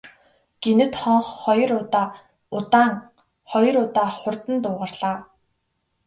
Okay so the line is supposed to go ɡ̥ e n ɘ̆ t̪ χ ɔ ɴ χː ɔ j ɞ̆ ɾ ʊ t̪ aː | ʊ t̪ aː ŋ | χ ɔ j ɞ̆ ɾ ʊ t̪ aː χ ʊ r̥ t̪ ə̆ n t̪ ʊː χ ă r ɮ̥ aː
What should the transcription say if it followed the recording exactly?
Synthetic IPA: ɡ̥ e n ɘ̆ t̪ χ ɔ ɴ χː ɔ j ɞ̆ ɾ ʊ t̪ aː | ʊ t̪ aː ŋ | χ ɔ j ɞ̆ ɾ ʊ t̪ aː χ ʊ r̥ t̪ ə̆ n t̪ ʊː ʁ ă r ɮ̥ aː

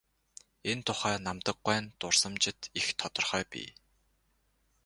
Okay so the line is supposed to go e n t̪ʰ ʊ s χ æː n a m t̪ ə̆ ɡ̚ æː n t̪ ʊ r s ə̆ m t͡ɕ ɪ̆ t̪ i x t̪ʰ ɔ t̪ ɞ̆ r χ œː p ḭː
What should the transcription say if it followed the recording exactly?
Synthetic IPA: e n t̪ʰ ʊ χ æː n a m t̪ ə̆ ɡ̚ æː n t̪ ʊ r s ə̆ m t͡ɕ ɪ̆ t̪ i x t̪ʰ ɔ t̪ ɞ̆ r χ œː p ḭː

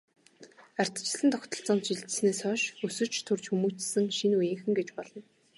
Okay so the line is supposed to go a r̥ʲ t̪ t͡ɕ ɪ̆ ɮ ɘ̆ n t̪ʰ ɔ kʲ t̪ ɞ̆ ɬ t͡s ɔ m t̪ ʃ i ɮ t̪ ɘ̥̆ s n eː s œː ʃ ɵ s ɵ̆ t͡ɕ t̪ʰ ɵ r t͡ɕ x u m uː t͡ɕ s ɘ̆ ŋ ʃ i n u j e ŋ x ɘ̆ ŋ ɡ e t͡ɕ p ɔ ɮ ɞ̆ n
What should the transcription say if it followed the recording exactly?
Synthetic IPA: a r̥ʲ t̪ t͡ɕ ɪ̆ ɮ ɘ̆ n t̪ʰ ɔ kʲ t̪ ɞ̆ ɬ t͡s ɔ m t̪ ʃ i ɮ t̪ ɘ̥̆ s n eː s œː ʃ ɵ s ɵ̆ t͡ɕ t̪ʰ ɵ r t͡ɕ x u m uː t͡ɕ s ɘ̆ ŋ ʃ i n u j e ŋ x ɘ̆ ŋ ɡ e t͡ɕ p ɔ ɮ ɞ̆ n

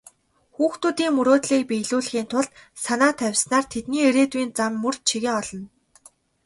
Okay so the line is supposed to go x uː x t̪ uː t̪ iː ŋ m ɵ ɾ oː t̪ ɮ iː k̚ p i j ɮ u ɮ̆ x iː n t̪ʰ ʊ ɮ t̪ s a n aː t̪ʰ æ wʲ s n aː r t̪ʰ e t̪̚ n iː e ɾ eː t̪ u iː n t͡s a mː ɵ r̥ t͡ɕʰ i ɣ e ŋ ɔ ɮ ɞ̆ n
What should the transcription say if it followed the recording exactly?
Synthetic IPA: x uː x t̪ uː t̪ iː ŋ m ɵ ɾ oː t̪ ɮ iː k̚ p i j ɮ uː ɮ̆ x iː n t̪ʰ ʊ ɮ t̪ s a n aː t̪ʰ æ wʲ s n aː r t̪ʰ e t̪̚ n iː e ɾ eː t̪ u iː n t͡s a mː ɵ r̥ t͡ɕʰ i ɣ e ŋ ɔ ɮ ɞ̆ n

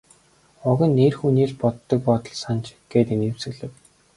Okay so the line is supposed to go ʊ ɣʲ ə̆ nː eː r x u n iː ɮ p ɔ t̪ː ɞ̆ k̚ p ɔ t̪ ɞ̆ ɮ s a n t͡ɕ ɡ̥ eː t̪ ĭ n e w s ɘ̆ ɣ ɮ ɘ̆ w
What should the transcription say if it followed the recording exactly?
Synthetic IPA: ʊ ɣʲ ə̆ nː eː r x u n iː ɮ p ɔ t̪ː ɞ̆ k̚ p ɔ t̪ ɞ̆ ɮ s a n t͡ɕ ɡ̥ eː t̪ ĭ n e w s ɘ̆ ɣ ɮ ɘ̆ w

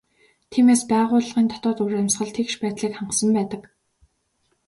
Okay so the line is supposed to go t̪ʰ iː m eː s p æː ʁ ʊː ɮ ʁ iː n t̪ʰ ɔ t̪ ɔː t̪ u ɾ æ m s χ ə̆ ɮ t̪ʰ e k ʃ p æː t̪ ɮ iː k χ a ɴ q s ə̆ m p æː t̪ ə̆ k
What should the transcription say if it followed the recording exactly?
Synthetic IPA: t̪ʰ iː m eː s p æː ʁ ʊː ɮ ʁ iː n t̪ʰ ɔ t̪ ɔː t̪ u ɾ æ m s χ ə̆ ɮ t̪ʰ e k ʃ p æː t̪ ɮ iː k χ a ɴ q s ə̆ m p æː t̪ ə̆ k

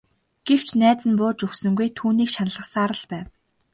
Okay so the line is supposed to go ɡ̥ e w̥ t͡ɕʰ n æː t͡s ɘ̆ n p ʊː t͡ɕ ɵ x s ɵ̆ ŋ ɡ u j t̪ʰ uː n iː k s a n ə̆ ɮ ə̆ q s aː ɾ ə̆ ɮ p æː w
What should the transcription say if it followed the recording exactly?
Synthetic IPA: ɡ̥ e w̥ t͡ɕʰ n æː t͡s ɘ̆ n p ʊː t͡ɕ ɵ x s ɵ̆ ŋ ɡ u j t̪ʰ uː n iː k ʃ a n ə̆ ɮ ə̆ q s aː ɾ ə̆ ɮ p æː w

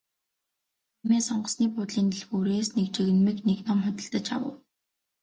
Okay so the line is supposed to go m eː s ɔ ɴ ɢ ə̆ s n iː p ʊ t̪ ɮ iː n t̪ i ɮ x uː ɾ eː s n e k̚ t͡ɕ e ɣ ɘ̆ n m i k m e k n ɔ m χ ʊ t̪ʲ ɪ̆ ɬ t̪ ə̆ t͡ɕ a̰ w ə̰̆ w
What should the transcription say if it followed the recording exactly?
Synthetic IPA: m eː s ɔ ɴ ɢ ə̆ s n iː p ʊ t̪ ɮ iː n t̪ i ɮ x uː ɾ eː s n e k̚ t͡ɕ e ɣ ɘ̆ n m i k n e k n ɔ m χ ʊ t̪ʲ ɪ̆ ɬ t̪ ə̆ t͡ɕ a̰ w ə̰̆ w

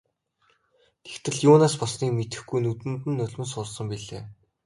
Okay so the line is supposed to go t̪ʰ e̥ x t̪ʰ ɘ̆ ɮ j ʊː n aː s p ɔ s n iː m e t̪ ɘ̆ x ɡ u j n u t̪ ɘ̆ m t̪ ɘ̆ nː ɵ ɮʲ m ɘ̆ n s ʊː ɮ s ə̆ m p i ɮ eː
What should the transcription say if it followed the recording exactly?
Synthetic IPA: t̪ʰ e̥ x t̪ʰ ɘ̆ ɮ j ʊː n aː s p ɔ s n iː m e t̪ ɘ̆ x ɡ u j n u t̪ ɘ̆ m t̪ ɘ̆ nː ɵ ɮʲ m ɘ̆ n s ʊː ɮ s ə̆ m p i ɮ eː

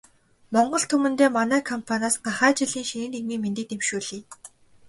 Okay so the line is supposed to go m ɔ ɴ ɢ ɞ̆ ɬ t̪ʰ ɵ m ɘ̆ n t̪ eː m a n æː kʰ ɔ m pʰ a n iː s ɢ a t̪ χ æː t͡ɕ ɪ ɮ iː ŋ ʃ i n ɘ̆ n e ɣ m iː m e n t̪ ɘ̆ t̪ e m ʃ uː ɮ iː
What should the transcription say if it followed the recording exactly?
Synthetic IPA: m ɔ ɴ ɢ ɞ̆ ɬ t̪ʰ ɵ m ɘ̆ n t̪ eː m a n æː kʰ ɔ m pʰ a n aː s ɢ a χ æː t͡ɕ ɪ ɮ iː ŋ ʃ i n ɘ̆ n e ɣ m iː m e n t̪ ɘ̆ t̪ e m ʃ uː ɮ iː

